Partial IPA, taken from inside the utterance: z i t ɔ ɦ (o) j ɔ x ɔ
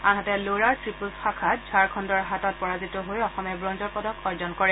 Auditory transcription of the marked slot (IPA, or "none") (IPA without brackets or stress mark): o